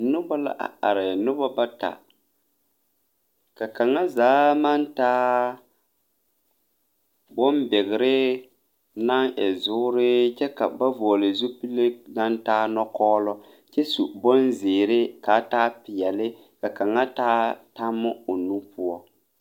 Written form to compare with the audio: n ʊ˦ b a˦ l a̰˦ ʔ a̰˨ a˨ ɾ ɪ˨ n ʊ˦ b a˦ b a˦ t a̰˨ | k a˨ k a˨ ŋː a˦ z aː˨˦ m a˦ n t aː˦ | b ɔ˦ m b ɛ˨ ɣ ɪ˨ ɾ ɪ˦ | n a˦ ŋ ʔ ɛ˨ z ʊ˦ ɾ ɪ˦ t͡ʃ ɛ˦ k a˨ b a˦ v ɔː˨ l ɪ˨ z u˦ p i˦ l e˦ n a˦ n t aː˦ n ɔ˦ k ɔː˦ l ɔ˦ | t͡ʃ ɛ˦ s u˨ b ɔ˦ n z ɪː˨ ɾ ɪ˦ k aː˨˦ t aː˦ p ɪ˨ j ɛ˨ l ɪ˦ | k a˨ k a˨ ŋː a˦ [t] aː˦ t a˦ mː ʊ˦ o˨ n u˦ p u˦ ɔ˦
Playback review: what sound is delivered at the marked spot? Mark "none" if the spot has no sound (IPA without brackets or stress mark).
t